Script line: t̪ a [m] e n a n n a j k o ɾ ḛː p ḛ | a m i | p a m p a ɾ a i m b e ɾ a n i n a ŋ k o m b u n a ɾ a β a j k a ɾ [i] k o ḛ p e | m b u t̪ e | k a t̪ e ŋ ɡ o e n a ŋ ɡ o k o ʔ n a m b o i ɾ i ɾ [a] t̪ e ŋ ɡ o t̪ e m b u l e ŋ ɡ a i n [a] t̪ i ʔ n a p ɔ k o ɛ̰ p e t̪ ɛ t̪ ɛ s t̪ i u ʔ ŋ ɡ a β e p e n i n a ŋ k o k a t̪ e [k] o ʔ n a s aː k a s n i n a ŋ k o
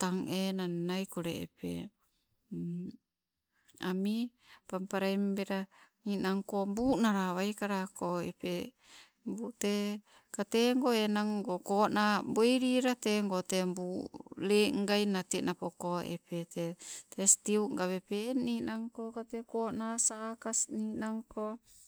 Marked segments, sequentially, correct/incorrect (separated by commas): incorrect, incorrect, correct, correct, correct